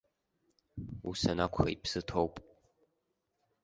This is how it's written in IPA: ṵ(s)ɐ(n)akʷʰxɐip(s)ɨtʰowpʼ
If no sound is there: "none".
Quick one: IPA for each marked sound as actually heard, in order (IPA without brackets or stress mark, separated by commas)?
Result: s, n, s